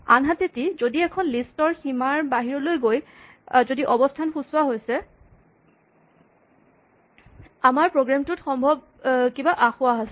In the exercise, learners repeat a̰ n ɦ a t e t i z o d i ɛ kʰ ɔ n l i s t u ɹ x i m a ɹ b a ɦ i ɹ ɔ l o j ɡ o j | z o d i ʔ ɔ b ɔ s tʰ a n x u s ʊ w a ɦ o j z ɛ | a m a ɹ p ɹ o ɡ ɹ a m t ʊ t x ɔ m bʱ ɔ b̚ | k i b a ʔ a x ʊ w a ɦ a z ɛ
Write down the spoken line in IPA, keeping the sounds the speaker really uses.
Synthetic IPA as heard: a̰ n ɦ a t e t i z o d i ɛ kʰ ɔ n l i s t ɔ ɹ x i m a ɹ b a ɦ i ɹ ɔ l o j ɡ o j | z o d i ʔ ɔ b ɔ s tʰ a n x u s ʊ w a ɦ o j s ɛ | a m a ɹ p ɹ o ɡ ɹ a m t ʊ t x ɔ m bʱ ɔ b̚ | k i b a ʔ a x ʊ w a ɦ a s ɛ